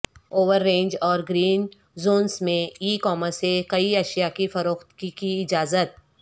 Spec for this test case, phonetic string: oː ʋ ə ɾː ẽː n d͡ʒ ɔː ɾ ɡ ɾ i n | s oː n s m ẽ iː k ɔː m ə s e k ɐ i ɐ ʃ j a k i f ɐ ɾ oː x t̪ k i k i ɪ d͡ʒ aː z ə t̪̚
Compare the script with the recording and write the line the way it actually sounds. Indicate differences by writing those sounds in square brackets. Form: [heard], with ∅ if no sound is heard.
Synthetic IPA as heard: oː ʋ ə ɾː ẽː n d͡ʒ ɔː ɾ ɡ ɾ [iː] n | [z] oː n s m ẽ iː k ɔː m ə s e k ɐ i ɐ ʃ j a k i f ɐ ɾ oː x t̪ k i k i ɪ d͡ʒ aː z ə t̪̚